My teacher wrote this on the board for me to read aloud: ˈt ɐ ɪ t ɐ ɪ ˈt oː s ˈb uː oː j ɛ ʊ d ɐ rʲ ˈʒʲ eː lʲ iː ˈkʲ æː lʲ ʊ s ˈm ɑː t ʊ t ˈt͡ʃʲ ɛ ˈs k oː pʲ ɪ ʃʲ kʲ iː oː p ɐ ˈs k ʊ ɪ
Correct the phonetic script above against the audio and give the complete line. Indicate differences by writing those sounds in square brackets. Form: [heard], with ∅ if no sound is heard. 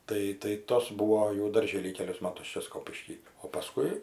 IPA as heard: ˈt ɐ ɪ t ɐ ɪ ˈt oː s ˈb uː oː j ɛ ʊ d ɐ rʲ ˈʒʲ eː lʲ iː ˈkʲ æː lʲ ʊ s ˈm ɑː t ʊ [s] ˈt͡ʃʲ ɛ ˈs k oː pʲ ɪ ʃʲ kʲ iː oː p ɐ ˈs k ʊ ɪ